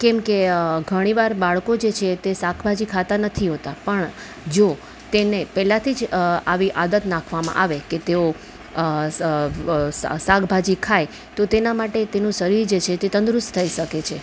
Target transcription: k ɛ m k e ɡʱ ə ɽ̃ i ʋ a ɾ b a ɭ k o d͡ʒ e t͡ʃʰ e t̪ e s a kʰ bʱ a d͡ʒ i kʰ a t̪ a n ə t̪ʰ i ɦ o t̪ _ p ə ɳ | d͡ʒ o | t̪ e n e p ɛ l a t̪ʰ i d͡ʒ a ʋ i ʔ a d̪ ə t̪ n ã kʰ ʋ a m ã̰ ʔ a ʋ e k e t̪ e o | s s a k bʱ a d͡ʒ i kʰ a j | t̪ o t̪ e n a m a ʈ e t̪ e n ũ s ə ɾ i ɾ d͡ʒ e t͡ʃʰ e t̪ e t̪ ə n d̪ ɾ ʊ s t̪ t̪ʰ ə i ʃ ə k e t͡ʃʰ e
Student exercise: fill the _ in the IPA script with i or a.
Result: a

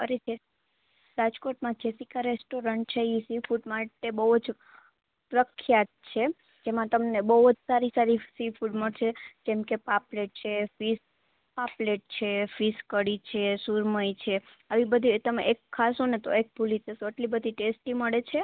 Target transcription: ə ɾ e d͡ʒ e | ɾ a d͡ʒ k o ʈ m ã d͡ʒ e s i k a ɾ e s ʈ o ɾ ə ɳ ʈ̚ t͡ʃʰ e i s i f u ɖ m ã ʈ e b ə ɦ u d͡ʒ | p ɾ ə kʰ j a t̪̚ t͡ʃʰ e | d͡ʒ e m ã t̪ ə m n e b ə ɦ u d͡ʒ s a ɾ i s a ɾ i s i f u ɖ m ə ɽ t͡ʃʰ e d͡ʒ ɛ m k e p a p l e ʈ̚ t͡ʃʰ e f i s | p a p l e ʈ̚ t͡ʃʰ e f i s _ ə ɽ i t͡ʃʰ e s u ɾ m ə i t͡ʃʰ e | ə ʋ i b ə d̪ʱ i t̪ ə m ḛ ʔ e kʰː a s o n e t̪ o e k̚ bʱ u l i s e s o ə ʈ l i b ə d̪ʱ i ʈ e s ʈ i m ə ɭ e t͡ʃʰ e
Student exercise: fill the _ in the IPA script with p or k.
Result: k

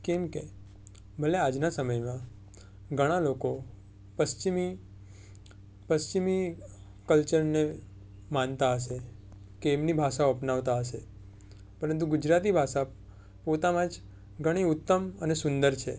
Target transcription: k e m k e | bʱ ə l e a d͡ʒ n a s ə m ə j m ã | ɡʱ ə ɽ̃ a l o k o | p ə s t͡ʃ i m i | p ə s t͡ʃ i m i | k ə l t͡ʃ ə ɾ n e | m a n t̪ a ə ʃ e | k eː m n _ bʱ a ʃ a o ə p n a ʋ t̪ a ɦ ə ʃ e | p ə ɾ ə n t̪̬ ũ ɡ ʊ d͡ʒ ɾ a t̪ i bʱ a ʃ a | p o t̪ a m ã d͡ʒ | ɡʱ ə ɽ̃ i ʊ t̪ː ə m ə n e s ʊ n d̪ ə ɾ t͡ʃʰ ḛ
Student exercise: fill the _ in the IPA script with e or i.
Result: i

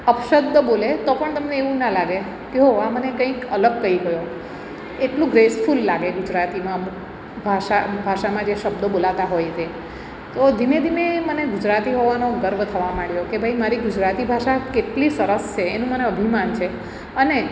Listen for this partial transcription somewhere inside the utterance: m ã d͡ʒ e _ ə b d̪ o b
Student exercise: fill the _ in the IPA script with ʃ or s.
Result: ʃ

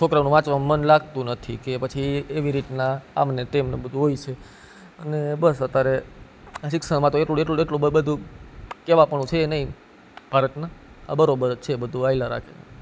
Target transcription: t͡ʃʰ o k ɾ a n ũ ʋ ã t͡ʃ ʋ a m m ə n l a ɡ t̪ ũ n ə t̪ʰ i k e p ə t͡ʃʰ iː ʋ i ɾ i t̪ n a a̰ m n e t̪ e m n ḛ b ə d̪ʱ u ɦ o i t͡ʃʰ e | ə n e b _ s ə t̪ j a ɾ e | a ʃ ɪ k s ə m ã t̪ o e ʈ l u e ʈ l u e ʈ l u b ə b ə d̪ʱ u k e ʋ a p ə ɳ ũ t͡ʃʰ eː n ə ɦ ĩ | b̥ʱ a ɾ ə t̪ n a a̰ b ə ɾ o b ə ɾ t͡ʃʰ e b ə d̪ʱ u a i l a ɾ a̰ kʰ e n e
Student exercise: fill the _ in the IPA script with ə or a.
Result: ə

